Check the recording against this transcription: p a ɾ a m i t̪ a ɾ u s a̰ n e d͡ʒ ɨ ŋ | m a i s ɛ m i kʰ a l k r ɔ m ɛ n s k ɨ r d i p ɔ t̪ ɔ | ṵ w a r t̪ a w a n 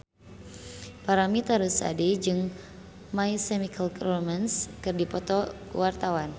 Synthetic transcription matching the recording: p a ɾ a m i t̪ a ɾ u s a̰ d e d͡ʒ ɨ ŋ | m a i s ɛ m i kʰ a l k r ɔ m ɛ n s k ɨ r d i p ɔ t̪ ɔ | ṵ w a r t̪ a w a n

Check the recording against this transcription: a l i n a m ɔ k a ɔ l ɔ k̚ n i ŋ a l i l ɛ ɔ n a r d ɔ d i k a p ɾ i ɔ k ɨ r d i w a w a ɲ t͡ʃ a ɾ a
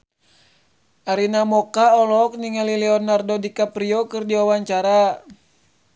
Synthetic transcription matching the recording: a ɾ i n a m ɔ k a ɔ l ɔ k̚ n i ŋ a l i l ɛ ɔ n a r d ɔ d i k a p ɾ i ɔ k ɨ r d i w a w a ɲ t͡ʃ a ɾ a

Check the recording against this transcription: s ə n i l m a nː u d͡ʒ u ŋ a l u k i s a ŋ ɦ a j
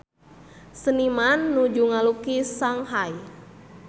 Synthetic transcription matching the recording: s ə n i m a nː u d͡ʒ u ŋ a l u k i s a ŋ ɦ a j

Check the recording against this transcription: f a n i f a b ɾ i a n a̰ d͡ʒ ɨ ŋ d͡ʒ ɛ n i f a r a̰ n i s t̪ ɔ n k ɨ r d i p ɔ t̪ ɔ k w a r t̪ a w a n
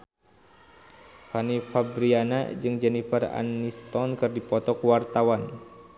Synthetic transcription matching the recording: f a n i f a b ɾ i a n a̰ d͡ʒ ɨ ŋ d͡ʒ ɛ n i f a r a̰ n i s t̪ ɔ n k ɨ r d i p ɔ t̪ ɔ k w a r t̪ a w a n

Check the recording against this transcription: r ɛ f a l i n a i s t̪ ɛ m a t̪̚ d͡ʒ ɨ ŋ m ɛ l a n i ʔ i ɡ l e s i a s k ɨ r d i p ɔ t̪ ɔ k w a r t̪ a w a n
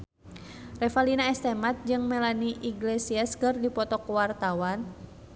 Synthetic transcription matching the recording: r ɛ f a l i n a ɛ s t̪ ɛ m a t̪̚ d͡ʒ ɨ ŋ m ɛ l a n i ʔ i ɡ l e s i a s k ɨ r d i p ɔ t̪ ɔ k w a r t̪ a w a n

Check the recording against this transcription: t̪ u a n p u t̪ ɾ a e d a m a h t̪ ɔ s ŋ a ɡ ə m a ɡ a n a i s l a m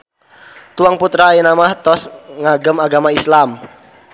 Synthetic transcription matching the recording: t̪ u a ŋ p u t̪ ɾ a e n a m a h t̪ ɔ s ŋ a ɡ ə m a ɡ a m a i s l a m

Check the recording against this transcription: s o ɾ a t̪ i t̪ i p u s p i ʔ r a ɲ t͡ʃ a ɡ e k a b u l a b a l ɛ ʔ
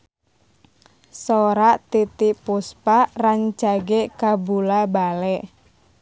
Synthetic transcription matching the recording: s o ɾ a t̪ i t̪ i p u s p a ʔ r a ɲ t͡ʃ a ɡ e k a b u l a b a l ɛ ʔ

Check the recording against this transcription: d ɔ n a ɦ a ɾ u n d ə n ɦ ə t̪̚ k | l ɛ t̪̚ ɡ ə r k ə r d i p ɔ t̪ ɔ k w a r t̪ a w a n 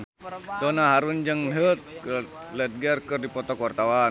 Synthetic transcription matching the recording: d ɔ n a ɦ a ɾ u n d͡ʒ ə ŋ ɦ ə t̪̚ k | l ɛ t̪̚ ɡ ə r k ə r d i p ɔ t̪ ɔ k w a r t̪ a w a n

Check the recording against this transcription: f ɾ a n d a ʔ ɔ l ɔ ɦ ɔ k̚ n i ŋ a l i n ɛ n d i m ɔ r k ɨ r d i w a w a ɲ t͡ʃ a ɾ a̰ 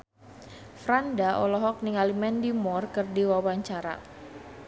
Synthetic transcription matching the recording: f ɾ a n d a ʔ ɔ l ɔ ɦ ɔ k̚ n i ŋ a l i m ɛ n d i m ɔ r k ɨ r d i w a w a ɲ t͡ʃ a ɾ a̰

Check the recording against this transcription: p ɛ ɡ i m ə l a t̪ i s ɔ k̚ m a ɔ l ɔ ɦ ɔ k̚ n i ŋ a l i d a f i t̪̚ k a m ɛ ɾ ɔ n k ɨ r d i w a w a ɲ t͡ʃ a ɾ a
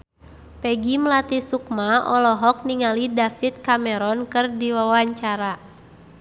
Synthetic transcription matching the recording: p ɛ ɡ i m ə l a t̪ i s u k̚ m a ɔ l ɔ ɦ ɔ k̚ n i ŋ a l i d a f i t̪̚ k a m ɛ ɾ ɔ n k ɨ r d i w a w a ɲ t͡ʃ a ɾ a

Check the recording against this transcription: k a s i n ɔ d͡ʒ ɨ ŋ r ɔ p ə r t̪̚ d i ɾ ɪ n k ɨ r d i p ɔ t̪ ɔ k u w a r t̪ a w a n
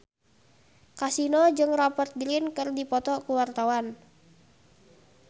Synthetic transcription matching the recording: k a s i n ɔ d͡ʒ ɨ ŋ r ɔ p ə r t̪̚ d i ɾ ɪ n k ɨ r d i p ɔ t̪ ɔ k u w a r t̪ a w a n

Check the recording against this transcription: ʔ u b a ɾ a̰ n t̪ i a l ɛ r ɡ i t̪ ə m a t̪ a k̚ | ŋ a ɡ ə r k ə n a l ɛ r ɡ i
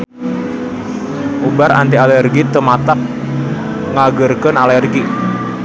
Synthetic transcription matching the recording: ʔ u b a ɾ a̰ n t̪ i a l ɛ r ɡ i t̪ ə m a t̪ a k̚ | ŋ a ɡ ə r k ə n a l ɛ r ɡ i

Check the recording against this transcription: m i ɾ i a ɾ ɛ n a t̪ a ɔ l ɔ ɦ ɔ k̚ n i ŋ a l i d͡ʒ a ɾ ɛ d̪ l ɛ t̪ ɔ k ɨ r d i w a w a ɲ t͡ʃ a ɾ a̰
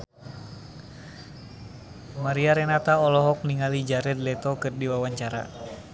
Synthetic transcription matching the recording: m a ɾ i a ɾ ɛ n a t̪ a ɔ l ɔ ɦ ɔ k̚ n i ŋ a l i d͡ʒ a ɾ ɛ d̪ l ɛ t̪ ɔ k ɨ r d i w a w a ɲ t͡ʃ a ɾ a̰

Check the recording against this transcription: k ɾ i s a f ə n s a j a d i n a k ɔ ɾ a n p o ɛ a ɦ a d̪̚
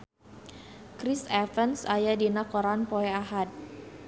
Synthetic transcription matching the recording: k ɾ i s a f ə n s a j a d i n a k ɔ ɾ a n p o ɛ a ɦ a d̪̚

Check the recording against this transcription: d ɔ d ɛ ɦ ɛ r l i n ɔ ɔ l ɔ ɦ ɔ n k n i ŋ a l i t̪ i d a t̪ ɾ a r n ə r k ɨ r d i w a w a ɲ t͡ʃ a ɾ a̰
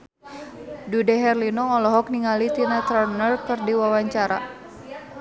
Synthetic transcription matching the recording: d u d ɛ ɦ ɛ r l i n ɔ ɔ l ɔ ɦ ɔ k n i ŋ a l i t̪ i n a t̪ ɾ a r n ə r k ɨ r d i w a w a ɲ t͡ʃ a ɾ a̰

